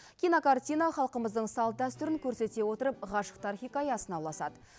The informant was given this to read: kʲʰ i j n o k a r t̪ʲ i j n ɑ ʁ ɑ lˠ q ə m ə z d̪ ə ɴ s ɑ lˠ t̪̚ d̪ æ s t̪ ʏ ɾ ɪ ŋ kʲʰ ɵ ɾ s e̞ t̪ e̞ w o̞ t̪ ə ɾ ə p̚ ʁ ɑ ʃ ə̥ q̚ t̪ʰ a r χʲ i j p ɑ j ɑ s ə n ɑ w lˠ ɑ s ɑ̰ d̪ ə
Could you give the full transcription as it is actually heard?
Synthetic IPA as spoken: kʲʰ i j n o k a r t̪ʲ i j n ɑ χ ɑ lˠ q ə m ə z d̪ ə ɴ s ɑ lˠ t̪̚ d̪ æ s t̪ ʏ ɾ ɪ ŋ kʲʰ ɵ ɾ s e̞ t̪ e̞ w o̞ t̪ ə ɾ ə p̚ ʁ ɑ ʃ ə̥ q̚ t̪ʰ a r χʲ i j k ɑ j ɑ s ə n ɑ w lˠ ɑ s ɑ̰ d̪ ə